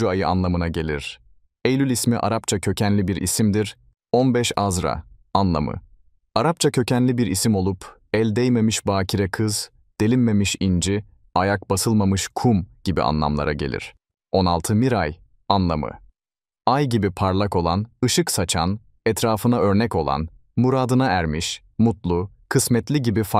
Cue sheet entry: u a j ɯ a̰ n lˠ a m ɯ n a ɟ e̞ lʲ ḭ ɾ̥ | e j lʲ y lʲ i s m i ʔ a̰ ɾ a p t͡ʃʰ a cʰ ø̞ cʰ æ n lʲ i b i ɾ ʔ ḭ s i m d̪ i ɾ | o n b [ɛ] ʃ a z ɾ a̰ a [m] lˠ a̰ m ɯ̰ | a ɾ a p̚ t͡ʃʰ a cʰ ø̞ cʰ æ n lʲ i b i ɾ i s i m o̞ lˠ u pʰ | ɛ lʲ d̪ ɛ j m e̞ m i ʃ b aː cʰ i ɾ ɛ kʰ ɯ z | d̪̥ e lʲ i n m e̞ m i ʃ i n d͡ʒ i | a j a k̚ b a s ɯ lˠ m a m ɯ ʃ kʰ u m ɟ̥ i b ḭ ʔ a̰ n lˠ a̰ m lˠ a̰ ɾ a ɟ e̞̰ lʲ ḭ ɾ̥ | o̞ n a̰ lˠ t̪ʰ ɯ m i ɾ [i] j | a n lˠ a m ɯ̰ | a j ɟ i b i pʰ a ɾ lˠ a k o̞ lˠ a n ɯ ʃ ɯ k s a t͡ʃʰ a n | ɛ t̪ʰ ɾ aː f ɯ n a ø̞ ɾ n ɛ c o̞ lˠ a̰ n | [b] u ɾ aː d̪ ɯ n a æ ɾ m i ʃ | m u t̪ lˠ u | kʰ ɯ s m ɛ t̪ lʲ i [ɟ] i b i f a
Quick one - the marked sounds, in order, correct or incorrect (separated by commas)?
correct, incorrect, incorrect, incorrect, correct